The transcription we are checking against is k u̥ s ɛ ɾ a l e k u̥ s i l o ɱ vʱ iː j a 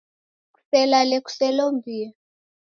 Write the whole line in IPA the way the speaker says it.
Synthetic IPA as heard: k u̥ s ɛ l a l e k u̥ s ɛ l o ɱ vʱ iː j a